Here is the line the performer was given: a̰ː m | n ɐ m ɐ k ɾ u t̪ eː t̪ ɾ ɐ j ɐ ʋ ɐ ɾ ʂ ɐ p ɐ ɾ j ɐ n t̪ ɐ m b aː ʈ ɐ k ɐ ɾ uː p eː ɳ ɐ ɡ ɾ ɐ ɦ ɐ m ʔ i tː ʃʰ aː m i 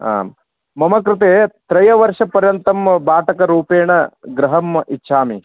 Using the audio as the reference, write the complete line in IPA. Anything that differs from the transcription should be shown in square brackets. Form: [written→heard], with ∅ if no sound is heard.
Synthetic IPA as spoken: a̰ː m | [n→m] ɐ m ɐ k ɾ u t̪ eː t̪ ɾ ɐ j ɐ ʋ ɐ ɾ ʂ ɐ p ɐ ɾ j ɐ n t̪ ɐ m b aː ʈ ɐ k ɐ ɾ uː p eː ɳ ɐ ɡ ɾ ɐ ɦ ɐ m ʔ i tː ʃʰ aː m i